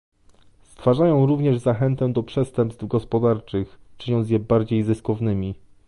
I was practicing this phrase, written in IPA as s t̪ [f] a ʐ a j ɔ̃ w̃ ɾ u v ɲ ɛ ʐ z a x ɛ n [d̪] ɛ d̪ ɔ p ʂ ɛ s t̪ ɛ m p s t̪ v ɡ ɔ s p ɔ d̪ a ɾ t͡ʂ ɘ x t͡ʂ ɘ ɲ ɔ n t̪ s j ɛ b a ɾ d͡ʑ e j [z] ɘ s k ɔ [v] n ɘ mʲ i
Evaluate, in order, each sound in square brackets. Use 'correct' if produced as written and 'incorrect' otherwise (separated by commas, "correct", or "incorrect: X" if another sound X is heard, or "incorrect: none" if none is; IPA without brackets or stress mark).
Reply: correct, incorrect: t̪, correct, correct